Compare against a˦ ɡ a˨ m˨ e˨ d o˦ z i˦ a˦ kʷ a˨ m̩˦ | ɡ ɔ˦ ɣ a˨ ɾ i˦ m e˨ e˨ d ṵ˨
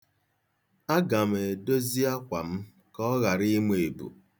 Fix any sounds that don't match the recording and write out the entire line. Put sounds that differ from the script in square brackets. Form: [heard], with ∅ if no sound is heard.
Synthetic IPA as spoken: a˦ ɡ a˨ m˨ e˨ d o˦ z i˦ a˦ kʷ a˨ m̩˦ | [k] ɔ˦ ɣ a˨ ɾ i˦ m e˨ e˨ [b] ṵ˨